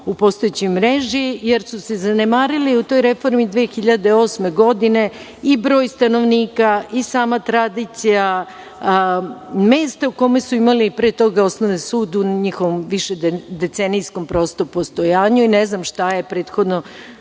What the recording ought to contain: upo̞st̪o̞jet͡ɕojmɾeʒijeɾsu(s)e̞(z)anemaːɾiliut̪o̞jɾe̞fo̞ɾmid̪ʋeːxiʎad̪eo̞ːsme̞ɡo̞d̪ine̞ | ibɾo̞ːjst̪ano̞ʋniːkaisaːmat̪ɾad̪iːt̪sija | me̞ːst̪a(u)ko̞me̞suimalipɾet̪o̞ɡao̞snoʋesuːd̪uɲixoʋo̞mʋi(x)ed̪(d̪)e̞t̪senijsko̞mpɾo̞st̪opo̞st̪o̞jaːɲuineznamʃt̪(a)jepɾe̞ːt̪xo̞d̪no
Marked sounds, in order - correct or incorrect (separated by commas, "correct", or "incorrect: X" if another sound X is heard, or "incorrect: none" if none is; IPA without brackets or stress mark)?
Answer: correct, correct, correct, incorrect: ʃ, correct, correct